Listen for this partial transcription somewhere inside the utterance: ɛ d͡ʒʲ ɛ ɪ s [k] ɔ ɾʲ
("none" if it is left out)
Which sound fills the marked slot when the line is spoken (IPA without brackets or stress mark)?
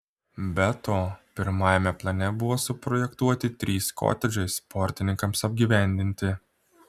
p